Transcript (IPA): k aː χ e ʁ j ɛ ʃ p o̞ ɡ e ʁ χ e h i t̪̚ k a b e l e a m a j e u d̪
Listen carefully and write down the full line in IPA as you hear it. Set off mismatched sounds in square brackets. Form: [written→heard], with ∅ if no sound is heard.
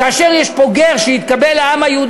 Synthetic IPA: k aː [χ→ʃ] e ʁ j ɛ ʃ p o̞ ɡ e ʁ [χ→ʃ] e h i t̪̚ k a b e l [e→a] a m a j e u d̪

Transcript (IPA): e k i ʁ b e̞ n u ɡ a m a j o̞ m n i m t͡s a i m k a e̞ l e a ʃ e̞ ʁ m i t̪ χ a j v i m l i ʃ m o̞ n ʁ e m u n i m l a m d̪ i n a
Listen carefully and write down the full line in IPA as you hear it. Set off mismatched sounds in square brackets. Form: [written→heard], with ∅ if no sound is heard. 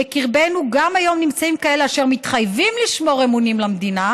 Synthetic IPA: e k i ʁ b e̞ n u ɡ a m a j o̞ m n i m t͡s a i m k a e̞ l e a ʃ e̞ ʁ m i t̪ χ a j v i m l i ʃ m o̞ [n→∅] ʁ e m u n i m l a m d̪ i n a

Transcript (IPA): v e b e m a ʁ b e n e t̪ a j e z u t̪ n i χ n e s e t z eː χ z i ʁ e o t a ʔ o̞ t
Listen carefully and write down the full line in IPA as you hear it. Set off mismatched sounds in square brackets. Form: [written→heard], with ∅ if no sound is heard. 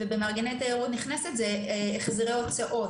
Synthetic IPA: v e b e m a ʁ [b→ɡ] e n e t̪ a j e [z→ʁ] u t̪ n i χ n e s e t z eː χ z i ʁ e o [t→t͡s] a ʔ o̞ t

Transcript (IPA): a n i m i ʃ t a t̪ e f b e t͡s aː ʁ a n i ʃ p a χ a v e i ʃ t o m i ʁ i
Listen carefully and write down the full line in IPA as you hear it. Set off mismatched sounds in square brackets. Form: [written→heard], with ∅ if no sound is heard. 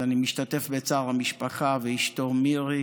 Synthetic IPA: a n i m i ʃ t a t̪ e f b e t͡s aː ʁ a [n→m] i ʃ p a χ a v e i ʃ t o m i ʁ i

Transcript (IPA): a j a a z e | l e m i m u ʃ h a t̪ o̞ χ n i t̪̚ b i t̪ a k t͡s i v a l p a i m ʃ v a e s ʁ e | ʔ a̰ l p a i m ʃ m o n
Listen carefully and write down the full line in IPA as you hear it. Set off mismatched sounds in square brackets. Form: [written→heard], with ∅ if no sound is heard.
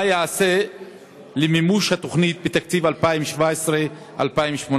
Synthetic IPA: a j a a [z→s] e | l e m i m u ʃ h a t̪ o̞ χ n i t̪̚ b [i→e] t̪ a k t͡s i v a l p a i m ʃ v a e s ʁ e | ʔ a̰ l p a i m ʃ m o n

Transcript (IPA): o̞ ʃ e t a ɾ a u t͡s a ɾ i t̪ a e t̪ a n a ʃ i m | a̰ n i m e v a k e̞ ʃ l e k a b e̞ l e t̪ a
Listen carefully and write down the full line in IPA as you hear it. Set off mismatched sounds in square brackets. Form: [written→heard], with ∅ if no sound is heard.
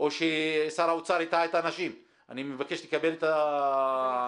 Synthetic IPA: o̞ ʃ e [t→s] a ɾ a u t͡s a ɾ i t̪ a e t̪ a n a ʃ i m | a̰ n i m e v a k e̞ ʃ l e k a b e̞ l e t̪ a

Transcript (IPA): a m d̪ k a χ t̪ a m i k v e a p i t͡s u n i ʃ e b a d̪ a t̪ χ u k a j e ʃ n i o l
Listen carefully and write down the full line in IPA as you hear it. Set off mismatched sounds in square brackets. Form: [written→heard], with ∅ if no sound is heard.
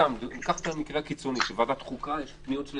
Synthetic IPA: a m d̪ k a χ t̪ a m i k [v→ʁ] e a [p→k] i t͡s [u→o] n i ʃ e [b→v] a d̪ a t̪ χ u k a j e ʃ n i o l

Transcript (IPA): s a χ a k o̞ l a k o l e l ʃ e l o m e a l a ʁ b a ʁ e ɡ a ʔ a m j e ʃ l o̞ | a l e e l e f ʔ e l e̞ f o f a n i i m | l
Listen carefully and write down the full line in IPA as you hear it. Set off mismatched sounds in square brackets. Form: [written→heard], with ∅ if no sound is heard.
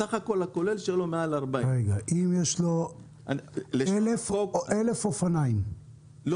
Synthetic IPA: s a χ a k o̞ l a k o l e l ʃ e l o m e a l a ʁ b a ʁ e ɡ a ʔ [a→i] m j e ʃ l o̞ | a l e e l e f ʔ e l e̞ f o f a n [i→a] i m | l

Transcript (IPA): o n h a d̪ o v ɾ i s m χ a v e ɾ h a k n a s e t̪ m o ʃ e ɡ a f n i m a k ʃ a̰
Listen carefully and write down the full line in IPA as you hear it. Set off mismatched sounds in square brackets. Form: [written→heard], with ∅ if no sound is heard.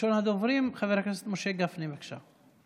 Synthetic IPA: o n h a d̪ o v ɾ i [s→∅] m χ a v e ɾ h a k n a s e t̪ m o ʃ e ɡ a f n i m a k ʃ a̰

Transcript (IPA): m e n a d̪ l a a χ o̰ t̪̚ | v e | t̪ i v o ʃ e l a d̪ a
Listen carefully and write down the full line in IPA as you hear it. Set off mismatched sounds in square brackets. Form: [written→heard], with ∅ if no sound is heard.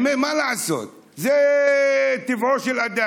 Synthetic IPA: m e [n→m] a [d̪→∅] l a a [χ→s] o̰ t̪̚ | [v→z] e | t̪ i v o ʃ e l a d̪ a

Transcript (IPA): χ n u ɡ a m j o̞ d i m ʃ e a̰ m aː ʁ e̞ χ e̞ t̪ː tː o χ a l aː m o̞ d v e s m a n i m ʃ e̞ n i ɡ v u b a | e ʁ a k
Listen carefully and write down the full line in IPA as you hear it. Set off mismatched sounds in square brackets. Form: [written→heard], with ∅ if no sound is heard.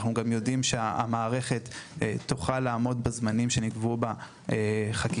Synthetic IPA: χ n u ɡ a m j o̞ d i m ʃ e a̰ m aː ʁ e̞ χ e̞ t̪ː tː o χ a l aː m o̞ d [v→b] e [s→z] m a n i m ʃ e̞ n i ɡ v u b a | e [ʁ→χ] a k

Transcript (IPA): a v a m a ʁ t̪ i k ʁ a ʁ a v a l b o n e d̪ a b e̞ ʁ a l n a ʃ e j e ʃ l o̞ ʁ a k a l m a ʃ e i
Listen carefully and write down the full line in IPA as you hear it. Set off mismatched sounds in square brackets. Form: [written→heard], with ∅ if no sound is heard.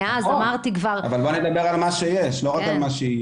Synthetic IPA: a [v→z] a m a ʁ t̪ i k [ʁ→v] a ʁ a v a l b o n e d̪ a b e̞ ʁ a l [n→m] a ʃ e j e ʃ l o̞ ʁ a k a l m a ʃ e i

